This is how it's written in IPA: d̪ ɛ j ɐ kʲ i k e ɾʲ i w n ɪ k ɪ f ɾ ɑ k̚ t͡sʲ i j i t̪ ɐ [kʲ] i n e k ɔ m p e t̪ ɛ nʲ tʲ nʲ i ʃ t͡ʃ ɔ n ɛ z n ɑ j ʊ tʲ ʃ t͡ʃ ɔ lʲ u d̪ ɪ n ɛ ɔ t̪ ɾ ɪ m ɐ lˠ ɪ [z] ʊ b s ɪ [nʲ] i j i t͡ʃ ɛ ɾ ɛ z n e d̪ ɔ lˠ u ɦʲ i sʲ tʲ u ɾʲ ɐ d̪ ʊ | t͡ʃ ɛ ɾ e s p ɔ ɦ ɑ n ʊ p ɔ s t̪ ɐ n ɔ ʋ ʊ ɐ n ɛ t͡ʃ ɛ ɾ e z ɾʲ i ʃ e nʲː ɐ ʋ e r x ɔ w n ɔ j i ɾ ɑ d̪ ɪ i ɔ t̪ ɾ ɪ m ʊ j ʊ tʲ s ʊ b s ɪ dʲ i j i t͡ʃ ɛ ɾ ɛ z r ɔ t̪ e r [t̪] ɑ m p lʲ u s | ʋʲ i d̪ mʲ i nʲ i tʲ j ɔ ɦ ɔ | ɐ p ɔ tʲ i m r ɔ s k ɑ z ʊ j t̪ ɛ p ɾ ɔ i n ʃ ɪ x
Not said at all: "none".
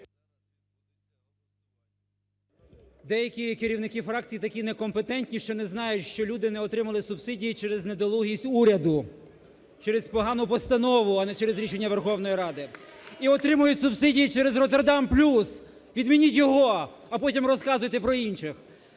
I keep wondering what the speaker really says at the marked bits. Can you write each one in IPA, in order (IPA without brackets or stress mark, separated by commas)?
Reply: kʲ, s, dʲ, d̪